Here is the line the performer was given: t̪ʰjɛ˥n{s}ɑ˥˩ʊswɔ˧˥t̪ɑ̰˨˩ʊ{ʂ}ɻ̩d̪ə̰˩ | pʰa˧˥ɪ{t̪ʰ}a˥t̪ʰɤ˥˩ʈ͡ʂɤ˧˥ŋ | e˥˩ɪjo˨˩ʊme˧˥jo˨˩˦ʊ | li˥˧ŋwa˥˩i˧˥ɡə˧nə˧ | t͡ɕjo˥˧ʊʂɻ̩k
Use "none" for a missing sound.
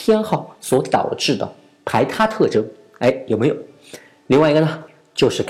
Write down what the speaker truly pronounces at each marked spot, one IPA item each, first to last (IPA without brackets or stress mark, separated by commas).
x, ʈ͡ʂ, t̪ʰ